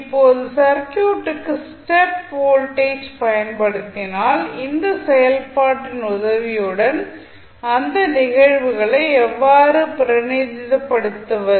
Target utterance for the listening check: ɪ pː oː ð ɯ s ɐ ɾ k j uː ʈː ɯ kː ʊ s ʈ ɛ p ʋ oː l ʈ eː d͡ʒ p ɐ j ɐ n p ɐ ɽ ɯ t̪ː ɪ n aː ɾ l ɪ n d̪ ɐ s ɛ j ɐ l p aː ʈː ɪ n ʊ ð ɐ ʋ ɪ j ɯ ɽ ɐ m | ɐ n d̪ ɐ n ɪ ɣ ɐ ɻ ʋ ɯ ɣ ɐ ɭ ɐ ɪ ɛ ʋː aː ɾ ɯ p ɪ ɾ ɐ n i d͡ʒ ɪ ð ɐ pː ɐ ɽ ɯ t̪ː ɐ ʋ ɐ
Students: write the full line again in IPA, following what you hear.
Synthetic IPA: ɪ pː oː ð ɯ s ɐ ɾ k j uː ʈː ɯ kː ɯ s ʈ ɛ p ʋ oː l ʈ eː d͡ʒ p ɐ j ɐ n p ɐ ɽ ɯ t̪ː ɪ n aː l ɪ n d̪ ɐ s ɛ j ɐ l p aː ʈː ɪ n ʊ ð ɐ ʋ ɪ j ɯ ɽ ɐ n | ɐ n d̪ ɐ n ɪ ɣ ɐ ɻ ʋ ɯ ɣ ɐ ɭ ɐ ɪ ɛ ʋː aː ɾ ɯ p ɪ ɾ ɐ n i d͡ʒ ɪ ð ɐ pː ɐ ɽ ɯ t̪ː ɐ ʋ ɐ